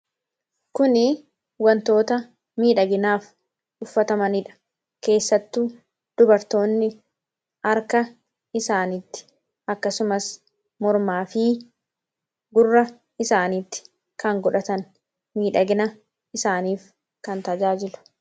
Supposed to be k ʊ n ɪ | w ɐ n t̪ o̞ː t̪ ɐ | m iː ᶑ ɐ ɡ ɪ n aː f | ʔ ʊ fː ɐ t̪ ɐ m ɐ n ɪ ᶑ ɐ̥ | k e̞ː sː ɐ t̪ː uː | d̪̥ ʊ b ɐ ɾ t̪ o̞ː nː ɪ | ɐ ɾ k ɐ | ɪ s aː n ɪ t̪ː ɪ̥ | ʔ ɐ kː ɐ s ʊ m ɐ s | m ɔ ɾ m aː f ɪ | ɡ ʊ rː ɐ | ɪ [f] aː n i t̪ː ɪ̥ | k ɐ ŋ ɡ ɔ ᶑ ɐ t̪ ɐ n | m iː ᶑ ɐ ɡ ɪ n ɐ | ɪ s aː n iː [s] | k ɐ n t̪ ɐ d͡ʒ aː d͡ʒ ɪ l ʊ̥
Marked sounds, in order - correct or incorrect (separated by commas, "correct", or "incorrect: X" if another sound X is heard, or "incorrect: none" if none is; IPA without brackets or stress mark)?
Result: incorrect: s, incorrect: f